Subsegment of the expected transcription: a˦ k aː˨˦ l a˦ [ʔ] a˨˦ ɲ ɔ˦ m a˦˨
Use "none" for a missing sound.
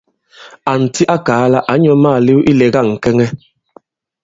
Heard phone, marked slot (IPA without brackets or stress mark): ʔ